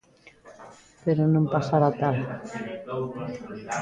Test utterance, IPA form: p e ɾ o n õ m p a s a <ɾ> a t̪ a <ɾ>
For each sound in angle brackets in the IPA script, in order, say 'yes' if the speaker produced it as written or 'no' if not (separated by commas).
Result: yes, no